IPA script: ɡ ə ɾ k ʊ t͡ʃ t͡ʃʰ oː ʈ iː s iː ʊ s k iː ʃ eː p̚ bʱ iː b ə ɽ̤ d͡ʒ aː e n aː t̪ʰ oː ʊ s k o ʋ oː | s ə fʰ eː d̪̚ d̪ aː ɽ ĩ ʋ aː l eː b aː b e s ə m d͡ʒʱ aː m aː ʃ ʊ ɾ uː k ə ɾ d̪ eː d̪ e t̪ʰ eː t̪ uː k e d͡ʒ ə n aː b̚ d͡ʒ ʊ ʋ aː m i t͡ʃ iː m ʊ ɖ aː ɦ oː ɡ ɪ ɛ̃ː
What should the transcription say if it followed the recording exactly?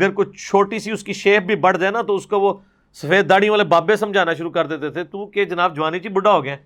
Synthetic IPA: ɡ ə ɾ k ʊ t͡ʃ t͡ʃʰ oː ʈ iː s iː ʊ s k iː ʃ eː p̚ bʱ iː b ə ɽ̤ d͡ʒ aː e n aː t̪ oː ʊ s k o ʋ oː | s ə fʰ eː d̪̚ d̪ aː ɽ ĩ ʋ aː l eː b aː b e s ə m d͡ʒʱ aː n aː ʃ ʊ ɾ uː k ə ɾ d̪ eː t̪ e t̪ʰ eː t̪ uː k e d͡ʒ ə n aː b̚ d͡ʒ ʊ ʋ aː n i t͡ʃ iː b ʊ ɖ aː ɦ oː ɡ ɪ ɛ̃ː